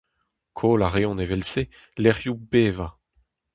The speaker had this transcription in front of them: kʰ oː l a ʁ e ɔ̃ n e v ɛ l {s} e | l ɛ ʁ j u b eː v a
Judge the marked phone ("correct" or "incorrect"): correct